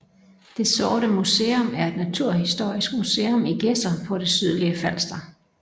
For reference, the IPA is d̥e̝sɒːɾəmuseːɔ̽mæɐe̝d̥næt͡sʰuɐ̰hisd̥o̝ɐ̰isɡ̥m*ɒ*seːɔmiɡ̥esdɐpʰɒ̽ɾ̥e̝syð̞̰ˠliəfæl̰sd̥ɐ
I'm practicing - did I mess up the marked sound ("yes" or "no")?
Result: yes